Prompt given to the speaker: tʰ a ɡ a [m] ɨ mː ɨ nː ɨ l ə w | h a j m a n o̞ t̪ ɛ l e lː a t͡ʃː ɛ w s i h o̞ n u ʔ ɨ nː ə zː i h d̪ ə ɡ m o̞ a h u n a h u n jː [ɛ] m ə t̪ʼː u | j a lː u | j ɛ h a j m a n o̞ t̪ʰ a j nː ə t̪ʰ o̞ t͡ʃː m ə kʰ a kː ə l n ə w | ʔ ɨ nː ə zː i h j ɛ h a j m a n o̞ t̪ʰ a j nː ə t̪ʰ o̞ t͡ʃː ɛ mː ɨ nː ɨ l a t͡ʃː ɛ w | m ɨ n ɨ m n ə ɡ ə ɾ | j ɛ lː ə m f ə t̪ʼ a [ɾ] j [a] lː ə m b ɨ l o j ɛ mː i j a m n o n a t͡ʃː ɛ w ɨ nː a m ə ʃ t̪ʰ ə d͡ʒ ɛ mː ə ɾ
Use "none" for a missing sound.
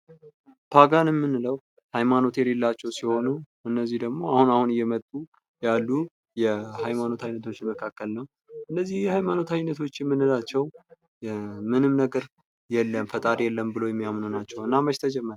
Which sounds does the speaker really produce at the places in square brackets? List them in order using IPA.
n, ɛ, ɾ, ɛ

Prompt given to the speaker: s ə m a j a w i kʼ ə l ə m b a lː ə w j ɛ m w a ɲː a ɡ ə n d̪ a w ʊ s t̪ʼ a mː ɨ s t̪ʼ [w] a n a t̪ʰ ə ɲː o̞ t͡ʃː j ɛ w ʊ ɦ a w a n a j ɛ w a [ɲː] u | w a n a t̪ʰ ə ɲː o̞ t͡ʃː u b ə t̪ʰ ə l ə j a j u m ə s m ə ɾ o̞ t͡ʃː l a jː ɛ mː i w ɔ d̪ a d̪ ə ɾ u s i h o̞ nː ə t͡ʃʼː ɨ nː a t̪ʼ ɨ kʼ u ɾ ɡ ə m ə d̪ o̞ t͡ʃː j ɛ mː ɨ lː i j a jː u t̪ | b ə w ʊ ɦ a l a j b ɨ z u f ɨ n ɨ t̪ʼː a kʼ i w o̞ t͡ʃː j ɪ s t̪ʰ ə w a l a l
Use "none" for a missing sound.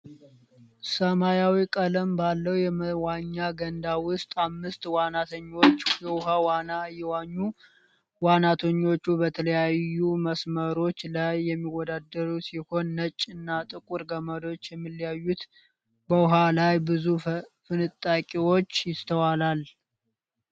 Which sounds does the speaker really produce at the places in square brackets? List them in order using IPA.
w, ɲː

